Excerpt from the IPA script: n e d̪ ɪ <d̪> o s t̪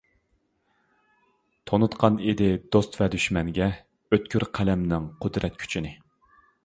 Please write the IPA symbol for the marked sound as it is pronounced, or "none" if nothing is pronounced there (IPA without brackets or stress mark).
d̪